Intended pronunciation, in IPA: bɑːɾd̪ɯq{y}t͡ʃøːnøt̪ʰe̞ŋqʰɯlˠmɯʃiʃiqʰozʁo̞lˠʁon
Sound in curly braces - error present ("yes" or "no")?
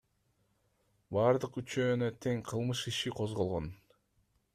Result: no